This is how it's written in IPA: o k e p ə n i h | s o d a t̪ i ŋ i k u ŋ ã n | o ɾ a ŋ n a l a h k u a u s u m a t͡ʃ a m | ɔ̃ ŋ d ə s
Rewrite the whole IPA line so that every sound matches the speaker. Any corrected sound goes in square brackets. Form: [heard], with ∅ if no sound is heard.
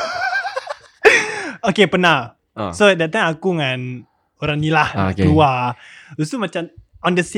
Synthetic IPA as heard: o k e p ə n [a] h | s o d a t̪ [a] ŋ [a] k u ŋ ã n | o ɾ a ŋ n [i] l a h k u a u s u m a t͡ʃ a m | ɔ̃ [n] d ə s